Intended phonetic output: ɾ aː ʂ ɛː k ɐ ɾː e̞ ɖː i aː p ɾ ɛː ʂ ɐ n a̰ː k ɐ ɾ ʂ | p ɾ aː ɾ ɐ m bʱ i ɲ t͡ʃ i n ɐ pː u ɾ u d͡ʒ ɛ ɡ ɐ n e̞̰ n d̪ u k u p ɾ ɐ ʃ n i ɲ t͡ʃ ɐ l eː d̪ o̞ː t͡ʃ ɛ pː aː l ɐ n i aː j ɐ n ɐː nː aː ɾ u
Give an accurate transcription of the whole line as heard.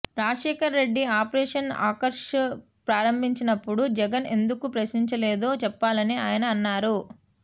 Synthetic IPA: ɾ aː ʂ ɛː k ɐ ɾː e̞ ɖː i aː p ɾ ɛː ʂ ɐ n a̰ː k ɐ ɾ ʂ | p ɾ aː ɾ ɐ m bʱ i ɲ t͡ʃ i n ɐ pː u ɽ u d͡ʒ ɛ ɡ ɐ n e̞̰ n d̪ u k u p ɾ ɐ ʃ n i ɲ t͡ʃ ɐ l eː d̪ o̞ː t͡ʃ ɛ pː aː l ɐ n i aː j ɐ n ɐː nː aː ɾ u